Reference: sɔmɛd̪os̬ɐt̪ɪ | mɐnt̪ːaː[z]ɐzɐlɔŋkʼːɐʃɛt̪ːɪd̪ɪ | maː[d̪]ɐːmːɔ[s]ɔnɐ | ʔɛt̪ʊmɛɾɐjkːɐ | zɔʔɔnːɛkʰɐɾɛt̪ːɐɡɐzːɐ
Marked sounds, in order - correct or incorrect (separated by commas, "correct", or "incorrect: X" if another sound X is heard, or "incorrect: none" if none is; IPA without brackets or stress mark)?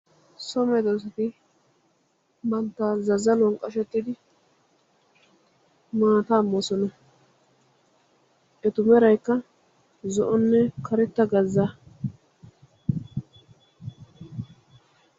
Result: correct, incorrect: t̪, correct